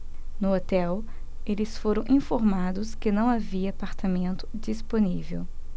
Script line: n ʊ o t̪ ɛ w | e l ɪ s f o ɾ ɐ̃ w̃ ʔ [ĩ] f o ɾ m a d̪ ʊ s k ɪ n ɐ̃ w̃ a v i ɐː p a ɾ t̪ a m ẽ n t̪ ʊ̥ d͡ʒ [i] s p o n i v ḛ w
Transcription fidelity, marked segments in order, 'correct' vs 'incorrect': correct, correct

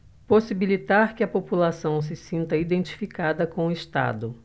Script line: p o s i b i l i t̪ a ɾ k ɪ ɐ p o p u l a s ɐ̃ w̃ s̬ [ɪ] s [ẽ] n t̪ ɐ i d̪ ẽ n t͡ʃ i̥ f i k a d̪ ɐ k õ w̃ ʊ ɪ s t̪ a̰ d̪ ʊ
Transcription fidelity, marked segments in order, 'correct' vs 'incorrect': correct, incorrect

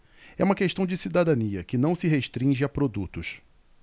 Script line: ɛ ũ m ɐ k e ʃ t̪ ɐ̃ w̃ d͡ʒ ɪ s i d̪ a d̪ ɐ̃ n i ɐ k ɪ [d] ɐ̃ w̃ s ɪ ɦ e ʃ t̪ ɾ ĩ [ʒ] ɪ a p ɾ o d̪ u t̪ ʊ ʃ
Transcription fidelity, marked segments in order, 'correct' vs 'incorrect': incorrect, correct

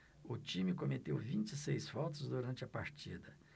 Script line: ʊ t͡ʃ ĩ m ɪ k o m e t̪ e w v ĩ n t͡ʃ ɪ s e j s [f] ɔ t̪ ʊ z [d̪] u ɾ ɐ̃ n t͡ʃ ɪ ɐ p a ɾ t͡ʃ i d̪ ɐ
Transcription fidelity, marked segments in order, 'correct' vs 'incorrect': correct, correct

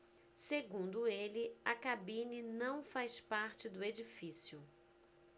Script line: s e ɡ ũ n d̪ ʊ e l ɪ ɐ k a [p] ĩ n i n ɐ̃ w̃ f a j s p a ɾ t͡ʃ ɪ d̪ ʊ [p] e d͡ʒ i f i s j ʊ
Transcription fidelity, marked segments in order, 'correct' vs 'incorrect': incorrect, incorrect

